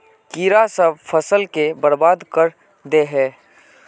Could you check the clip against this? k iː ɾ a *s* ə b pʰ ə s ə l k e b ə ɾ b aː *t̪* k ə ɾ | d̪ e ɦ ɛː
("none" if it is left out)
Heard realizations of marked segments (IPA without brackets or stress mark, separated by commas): s, d̪